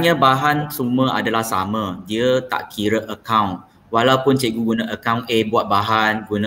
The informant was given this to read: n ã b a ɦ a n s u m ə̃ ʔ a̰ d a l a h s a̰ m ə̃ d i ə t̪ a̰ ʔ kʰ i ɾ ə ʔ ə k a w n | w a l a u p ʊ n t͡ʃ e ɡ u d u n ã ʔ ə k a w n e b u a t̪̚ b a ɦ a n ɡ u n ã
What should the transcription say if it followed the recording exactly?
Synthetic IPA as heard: ɲ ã b a ɦ a n s u m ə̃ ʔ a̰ d a l a h s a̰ m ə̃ d i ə t̪ a̰ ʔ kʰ i ɾ ə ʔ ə k a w n | w a l a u p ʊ n t͡ʃ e ɡ u ɡ u n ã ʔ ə k a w n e b u a t̪̚ b a ɦ a n ɡ u n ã